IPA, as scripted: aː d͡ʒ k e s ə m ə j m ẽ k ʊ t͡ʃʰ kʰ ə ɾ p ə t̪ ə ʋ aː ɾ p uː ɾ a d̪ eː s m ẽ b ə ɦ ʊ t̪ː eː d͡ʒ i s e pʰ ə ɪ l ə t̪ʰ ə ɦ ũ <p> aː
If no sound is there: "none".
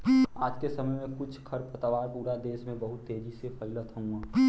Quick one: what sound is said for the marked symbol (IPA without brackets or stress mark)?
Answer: none